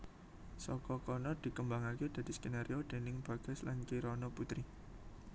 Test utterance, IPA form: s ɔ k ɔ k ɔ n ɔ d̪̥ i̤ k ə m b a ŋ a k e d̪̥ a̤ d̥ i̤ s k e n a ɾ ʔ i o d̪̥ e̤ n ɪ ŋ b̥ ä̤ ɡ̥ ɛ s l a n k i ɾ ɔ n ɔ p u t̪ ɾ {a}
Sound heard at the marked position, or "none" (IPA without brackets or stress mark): i